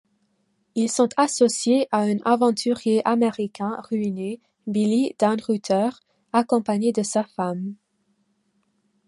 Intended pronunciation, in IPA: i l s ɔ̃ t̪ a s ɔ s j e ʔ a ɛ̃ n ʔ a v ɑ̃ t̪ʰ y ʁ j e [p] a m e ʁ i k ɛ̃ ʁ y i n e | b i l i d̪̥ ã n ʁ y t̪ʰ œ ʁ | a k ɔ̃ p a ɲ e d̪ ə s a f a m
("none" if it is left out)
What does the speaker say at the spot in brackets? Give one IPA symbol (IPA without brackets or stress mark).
ʔ